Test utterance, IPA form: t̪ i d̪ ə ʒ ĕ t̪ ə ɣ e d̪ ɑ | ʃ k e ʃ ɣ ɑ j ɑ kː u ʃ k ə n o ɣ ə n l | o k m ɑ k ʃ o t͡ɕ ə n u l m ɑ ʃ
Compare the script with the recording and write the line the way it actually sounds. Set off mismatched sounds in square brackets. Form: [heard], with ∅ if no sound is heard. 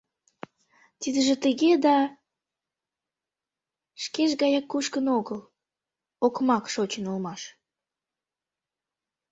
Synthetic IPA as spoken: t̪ i d̪ ə ʒ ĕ t̪ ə ɣ e d̪ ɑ | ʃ k e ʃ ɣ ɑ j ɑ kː u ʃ k ə n o ɣ ə [∅] l | o k m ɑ k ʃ o t͡ɕ ə n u l m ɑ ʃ